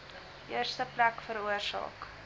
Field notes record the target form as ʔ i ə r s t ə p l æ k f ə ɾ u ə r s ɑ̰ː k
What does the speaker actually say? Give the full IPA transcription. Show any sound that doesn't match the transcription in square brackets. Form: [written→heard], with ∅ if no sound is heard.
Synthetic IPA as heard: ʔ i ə r s t ə p l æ k f ə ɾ u ə r s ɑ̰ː k